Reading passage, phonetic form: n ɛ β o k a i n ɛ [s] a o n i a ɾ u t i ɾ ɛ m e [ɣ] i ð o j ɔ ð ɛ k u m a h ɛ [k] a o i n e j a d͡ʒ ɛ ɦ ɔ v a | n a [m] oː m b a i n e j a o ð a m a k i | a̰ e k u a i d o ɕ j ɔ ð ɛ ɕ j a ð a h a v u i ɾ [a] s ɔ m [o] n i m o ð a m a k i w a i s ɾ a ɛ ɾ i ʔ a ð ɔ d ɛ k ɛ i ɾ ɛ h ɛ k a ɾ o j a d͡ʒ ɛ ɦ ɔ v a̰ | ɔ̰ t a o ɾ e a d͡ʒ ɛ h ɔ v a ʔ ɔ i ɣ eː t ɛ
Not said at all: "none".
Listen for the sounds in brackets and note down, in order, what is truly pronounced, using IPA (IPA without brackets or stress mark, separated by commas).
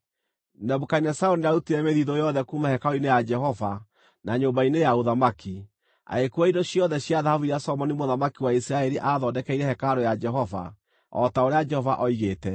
s, ð, k, ɲ, a, ɔ